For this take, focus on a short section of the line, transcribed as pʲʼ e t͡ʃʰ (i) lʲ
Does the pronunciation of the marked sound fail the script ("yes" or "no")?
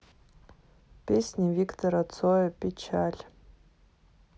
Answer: yes